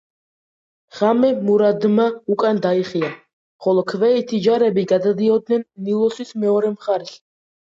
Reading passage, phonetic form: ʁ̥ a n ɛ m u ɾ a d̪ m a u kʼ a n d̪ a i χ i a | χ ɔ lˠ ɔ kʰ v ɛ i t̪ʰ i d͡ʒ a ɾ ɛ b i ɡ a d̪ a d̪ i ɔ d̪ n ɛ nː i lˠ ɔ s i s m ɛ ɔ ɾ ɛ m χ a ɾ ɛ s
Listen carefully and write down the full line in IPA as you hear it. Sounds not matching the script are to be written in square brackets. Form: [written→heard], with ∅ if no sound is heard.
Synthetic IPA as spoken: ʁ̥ a [n→m] ɛ m u ɾ a d̪ m a u kʼ a n d̪ a i χ i a | χ ɔ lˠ ɔ kʰ v ɛ i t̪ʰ i d͡ʒ a ɾ ɛ b i ɡ a d̪ a d̪ i ɔ d̪ n ɛ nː i lˠ ɔ s i s m ɛ ɔ ɾ ɛ m χ a ɾ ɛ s